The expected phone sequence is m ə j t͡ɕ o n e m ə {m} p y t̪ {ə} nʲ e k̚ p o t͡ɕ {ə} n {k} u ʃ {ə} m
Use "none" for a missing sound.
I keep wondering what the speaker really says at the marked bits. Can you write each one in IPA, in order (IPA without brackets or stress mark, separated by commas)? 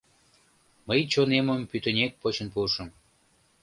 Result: m, ə, ə, p, ə